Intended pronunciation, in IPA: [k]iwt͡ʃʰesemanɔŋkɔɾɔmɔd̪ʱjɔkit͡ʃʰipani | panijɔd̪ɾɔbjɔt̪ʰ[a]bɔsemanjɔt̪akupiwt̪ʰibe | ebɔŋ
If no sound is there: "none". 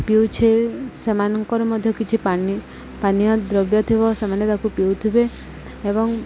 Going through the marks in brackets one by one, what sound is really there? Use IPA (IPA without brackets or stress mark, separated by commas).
p, i